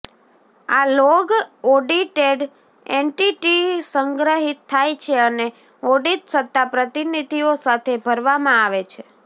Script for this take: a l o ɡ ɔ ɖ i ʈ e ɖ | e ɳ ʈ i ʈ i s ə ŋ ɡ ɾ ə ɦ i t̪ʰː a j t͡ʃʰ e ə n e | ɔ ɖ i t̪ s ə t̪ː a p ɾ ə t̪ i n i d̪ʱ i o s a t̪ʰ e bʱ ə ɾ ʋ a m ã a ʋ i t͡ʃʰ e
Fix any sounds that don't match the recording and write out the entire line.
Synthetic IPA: a l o ɡ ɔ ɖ i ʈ e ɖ | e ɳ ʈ i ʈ i s ə ŋ ɡ ɾ ə ɦ i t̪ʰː a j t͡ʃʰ e ə n e | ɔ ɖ i t̪ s ə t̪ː a p ɾ ə t̪ i n i d̪ʱ i o s a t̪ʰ e bʱ ə ɾ ʋ a m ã a ʋ e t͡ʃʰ e